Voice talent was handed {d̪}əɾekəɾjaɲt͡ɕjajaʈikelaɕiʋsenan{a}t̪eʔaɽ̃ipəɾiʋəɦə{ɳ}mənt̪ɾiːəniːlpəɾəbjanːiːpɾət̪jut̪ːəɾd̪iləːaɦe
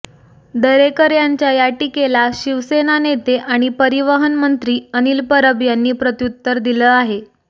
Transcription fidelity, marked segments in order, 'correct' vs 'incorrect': correct, incorrect: e, incorrect: n

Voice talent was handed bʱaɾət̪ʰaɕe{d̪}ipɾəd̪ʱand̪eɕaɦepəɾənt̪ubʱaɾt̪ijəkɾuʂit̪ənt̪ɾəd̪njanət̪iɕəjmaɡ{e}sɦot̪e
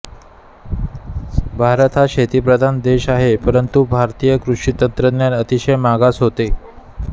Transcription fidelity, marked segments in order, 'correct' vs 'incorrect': incorrect: t̪, incorrect: a

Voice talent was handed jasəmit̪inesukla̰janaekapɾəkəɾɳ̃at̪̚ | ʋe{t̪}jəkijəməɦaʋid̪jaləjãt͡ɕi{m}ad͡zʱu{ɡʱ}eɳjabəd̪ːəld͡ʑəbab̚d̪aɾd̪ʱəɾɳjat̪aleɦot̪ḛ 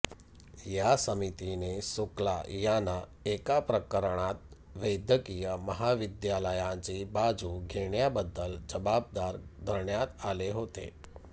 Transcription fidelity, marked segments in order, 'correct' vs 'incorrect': incorrect: d̪, incorrect: b, correct

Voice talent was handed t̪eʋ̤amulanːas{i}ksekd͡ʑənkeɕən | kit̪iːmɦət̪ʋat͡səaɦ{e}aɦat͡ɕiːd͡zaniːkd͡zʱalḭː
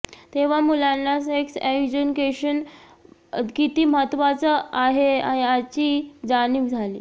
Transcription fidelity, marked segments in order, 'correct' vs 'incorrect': incorrect: e, correct

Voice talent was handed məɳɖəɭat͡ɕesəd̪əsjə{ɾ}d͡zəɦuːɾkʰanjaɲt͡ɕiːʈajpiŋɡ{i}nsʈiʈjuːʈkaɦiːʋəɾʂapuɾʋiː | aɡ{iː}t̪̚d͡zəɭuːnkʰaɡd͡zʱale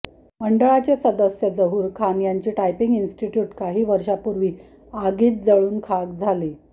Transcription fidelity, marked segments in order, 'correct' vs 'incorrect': incorrect: none, correct, correct

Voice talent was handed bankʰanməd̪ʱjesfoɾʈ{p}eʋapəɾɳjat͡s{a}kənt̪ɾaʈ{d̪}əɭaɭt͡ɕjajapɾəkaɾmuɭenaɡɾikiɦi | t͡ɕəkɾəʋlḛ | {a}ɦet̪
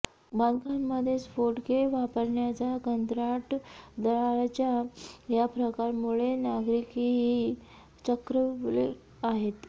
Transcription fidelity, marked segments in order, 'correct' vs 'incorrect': incorrect: k, correct, correct, correct

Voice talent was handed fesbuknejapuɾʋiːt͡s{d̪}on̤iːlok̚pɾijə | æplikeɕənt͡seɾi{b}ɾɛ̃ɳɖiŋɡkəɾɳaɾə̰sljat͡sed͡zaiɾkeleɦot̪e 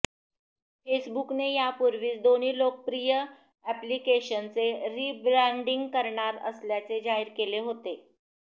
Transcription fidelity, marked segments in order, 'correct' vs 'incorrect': correct, correct

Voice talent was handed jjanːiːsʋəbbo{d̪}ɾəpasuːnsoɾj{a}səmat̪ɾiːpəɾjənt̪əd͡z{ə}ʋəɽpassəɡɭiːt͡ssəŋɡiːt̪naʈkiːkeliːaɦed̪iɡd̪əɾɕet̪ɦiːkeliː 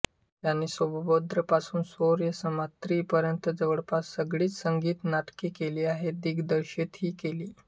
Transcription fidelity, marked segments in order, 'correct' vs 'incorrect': correct, incorrect: ə, correct

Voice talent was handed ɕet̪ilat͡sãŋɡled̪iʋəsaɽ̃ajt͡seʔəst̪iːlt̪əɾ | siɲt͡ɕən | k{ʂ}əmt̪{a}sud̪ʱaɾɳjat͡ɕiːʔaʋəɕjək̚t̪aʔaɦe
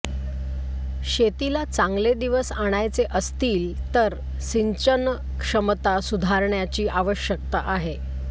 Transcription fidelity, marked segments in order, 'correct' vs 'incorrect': correct, correct

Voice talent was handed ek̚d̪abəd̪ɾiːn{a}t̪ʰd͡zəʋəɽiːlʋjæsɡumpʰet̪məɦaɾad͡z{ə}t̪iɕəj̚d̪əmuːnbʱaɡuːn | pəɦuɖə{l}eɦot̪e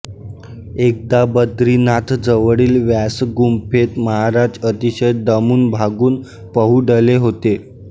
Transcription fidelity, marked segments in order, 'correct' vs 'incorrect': correct, correct, correct

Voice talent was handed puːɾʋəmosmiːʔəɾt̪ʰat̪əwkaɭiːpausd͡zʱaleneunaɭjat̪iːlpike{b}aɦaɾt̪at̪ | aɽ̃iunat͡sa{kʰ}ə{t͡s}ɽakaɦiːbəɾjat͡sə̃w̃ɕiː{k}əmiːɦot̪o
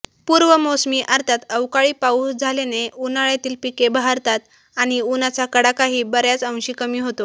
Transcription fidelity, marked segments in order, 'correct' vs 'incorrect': correct, incorrect: k, incorrect: none, correct

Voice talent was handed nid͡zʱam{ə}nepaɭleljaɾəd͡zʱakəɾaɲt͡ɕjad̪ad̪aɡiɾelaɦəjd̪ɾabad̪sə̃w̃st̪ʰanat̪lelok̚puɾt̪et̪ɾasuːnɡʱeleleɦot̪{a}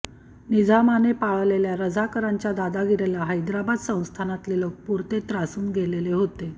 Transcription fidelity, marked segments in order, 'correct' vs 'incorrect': incorrect: a, incorrect: e

